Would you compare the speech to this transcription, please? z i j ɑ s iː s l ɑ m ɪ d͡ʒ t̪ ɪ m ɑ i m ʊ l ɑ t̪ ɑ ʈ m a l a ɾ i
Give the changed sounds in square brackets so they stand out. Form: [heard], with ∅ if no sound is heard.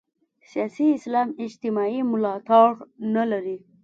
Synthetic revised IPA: [s] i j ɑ s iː s l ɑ m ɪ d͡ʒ t̪ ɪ m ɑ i m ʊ l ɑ t̪ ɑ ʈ [n] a l a ɾ i